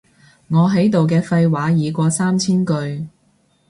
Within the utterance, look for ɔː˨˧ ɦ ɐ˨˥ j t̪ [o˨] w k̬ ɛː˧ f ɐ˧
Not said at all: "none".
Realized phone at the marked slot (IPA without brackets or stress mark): o˨